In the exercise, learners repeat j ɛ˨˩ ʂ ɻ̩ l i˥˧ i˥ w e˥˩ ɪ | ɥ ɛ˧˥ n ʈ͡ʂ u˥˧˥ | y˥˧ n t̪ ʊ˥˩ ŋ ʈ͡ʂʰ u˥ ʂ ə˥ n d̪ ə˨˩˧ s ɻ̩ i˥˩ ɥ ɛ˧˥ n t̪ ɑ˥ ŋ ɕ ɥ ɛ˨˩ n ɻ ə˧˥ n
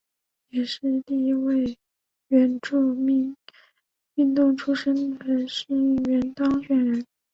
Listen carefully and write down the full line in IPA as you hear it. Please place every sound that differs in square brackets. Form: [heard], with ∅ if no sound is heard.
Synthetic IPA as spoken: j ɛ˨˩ ʂ ɻ̩ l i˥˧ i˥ w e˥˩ ɪ | ɥ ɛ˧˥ n ʈ͡ʂ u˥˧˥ | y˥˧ n t̪ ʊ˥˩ ŋ ʈ͡ʂʰ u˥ ʂ ə˥ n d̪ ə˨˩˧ [ʂ] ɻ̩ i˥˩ ɥ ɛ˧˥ n t̪ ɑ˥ ŋ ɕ ɥ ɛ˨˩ n ɻ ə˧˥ n